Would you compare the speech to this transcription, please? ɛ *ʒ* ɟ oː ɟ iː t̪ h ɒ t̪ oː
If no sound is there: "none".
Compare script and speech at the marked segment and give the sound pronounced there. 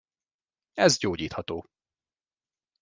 z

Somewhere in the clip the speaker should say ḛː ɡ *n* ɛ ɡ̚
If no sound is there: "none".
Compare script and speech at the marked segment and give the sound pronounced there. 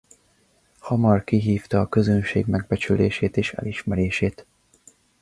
m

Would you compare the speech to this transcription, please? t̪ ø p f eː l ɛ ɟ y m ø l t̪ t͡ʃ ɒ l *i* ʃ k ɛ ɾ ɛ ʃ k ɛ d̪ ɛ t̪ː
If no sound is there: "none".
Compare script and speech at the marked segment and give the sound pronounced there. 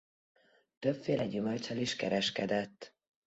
i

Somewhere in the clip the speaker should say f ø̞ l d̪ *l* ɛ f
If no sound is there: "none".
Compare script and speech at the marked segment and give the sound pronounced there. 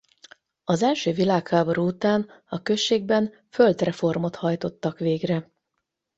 r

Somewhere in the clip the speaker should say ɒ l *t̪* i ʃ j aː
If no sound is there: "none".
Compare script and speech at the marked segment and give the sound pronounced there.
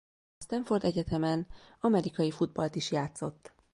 t̪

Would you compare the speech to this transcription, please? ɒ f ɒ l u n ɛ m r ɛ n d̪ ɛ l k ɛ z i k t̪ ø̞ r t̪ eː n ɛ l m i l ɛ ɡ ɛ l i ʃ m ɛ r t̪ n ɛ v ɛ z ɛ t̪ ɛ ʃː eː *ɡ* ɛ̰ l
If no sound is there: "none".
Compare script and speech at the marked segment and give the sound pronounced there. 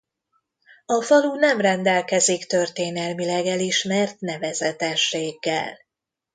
ɡː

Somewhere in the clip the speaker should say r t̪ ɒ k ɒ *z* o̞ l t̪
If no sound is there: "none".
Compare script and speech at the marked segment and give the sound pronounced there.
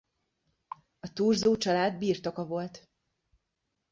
v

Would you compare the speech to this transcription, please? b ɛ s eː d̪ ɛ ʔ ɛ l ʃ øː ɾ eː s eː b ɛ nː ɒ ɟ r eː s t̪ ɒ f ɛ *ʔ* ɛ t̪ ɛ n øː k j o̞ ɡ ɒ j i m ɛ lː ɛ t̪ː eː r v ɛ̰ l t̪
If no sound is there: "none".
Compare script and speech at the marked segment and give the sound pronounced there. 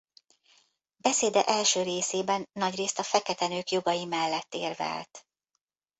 k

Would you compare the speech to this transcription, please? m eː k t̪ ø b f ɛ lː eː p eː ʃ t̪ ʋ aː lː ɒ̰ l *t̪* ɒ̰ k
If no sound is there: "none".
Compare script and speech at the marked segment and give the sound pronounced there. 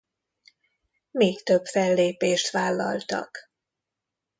t̪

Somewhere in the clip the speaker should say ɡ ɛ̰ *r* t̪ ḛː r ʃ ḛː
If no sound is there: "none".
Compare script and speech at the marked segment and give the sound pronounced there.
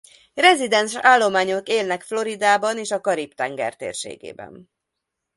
r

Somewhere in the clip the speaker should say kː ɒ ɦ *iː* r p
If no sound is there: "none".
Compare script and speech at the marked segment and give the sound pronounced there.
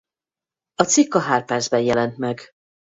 aː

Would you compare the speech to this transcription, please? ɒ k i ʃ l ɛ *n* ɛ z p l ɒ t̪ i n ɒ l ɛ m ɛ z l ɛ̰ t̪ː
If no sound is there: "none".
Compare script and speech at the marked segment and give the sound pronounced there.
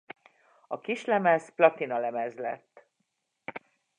m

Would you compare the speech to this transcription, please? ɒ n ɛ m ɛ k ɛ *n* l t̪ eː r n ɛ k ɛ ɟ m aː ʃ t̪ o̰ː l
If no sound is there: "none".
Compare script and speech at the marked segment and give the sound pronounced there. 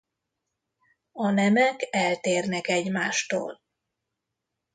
none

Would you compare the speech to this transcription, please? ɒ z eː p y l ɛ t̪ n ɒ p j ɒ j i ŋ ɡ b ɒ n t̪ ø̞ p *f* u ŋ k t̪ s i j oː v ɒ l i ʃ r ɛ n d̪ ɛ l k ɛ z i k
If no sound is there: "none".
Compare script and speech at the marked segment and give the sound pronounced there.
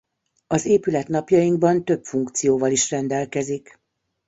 f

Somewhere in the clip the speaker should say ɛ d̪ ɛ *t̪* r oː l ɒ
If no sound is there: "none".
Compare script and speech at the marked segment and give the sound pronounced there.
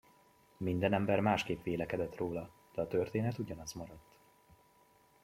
t̪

